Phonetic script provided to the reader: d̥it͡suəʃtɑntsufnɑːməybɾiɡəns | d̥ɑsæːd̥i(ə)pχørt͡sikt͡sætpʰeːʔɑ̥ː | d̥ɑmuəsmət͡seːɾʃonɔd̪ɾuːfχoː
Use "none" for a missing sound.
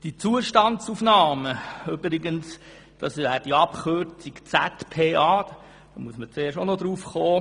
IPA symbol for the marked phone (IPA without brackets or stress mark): ɑ